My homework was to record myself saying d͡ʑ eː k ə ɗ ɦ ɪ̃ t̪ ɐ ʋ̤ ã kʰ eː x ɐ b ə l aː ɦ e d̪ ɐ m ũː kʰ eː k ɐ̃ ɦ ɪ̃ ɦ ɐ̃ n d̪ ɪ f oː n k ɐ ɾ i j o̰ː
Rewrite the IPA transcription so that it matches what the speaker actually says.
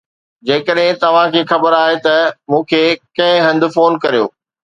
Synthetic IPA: d͡ʑ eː k ə ɗ ɦ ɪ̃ t̪ ɐ ʋ̤ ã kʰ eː x ɐ b ə ɾ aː ɦ e t̪ ɐ m ũː kʰ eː k ɐ̃ ɦ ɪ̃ ɦ ɐ̃ n d̪ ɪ f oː n k ɐ ɾ i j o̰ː